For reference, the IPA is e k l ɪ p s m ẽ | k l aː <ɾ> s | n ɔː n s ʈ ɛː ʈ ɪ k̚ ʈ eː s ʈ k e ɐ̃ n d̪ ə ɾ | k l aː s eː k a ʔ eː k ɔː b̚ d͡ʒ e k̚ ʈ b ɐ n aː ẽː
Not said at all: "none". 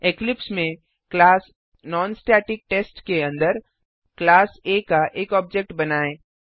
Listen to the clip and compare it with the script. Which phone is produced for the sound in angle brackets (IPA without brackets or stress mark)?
none